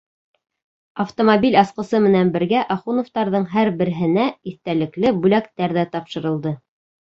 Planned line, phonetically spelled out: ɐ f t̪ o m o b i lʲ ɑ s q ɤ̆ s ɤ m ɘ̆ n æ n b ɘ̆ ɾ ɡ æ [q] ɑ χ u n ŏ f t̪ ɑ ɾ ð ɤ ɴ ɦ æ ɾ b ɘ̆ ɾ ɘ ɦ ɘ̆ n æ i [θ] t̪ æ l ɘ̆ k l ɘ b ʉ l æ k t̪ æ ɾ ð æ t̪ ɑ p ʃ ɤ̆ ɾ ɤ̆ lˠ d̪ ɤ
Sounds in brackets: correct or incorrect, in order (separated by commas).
incorrect, correct